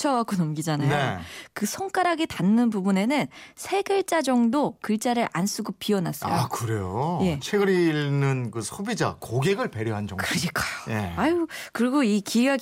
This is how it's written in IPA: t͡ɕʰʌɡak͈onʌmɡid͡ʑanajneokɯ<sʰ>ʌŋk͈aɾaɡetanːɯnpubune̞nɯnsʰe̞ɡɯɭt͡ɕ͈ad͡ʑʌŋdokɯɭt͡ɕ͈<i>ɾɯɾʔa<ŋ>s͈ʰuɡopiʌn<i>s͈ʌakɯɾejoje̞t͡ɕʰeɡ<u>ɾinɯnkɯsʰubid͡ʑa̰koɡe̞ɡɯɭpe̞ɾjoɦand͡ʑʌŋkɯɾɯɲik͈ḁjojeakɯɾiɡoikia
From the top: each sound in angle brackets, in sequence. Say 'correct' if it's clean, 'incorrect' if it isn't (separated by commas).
correct, incorrect, incorrect, incorrect, incorrect